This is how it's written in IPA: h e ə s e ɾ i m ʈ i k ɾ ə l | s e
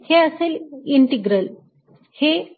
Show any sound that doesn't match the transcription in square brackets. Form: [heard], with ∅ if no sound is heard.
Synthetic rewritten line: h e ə s e [l] i [ɳ] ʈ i [ɡ] ɾ ə l | [h] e